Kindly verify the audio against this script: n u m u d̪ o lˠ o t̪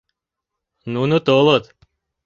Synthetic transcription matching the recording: n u n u t̪ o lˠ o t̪